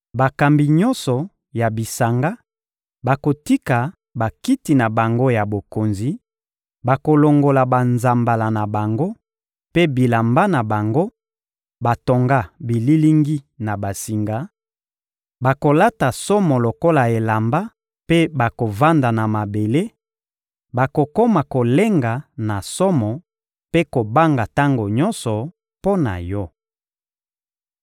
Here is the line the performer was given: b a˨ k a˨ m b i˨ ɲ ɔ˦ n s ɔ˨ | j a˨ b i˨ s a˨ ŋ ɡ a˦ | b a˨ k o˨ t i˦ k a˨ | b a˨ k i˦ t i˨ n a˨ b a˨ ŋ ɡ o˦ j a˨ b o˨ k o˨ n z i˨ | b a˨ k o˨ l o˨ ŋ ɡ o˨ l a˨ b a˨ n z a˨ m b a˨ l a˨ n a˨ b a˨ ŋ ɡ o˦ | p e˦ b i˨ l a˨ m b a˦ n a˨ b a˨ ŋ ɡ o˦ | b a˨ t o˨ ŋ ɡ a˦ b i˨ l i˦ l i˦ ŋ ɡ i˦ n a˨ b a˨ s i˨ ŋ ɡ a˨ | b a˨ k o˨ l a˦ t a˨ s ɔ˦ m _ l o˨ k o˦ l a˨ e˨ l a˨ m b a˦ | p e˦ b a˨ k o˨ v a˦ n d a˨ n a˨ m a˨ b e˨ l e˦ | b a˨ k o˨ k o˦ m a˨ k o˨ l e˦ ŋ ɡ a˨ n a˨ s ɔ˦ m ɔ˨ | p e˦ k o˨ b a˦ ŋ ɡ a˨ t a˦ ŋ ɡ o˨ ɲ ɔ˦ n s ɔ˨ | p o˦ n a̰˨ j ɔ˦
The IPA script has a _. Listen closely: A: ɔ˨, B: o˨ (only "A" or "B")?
A